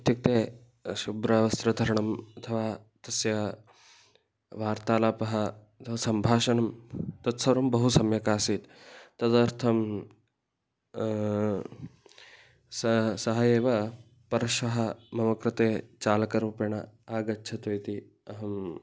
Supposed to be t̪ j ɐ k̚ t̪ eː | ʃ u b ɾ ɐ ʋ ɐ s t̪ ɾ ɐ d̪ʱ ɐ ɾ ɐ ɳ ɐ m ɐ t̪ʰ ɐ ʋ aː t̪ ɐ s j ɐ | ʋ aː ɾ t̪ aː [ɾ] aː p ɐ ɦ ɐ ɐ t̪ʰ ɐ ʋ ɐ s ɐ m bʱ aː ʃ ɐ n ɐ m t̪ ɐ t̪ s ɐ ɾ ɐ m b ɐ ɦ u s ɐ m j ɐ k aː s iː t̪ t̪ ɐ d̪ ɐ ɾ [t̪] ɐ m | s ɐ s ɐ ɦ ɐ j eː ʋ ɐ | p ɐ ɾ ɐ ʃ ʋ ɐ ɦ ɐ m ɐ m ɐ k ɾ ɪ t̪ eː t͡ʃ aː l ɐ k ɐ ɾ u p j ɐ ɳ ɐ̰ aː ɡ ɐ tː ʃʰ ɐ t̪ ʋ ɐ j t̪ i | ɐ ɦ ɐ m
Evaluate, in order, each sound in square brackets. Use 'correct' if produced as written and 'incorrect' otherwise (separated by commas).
incorrect, incorrect